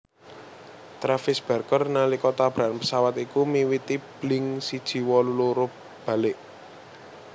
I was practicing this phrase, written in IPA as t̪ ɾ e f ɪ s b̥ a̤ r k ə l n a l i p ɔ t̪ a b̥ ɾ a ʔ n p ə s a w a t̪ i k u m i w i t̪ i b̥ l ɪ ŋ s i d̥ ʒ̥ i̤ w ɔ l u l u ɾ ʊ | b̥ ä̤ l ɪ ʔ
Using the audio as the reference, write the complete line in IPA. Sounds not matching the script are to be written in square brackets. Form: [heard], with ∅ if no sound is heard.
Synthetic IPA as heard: t̪ ɾ [a] f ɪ s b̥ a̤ r k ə [r] n a l i [k] ɔ t̪ a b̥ ɾ a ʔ n p ə s a w a t̪ i k u m i w i t̪ i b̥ l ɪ ŋ s i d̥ ʒ̥ i̤ w ɔ l u l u ɾ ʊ | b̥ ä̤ l ɪ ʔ